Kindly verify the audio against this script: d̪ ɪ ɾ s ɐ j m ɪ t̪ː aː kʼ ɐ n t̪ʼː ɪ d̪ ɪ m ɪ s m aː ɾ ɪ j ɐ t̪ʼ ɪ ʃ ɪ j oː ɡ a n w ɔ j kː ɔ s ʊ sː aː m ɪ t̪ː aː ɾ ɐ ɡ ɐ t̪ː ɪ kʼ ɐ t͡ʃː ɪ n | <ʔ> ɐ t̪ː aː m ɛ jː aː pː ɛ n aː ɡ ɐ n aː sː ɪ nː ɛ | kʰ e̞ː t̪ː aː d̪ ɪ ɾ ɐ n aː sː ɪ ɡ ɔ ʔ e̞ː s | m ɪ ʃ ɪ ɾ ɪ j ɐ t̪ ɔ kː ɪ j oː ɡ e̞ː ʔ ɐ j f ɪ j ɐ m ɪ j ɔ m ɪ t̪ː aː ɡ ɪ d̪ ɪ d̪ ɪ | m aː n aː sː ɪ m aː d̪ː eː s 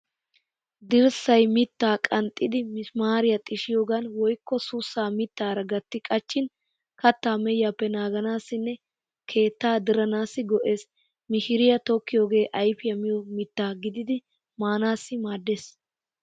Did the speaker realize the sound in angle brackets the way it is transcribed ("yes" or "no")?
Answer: no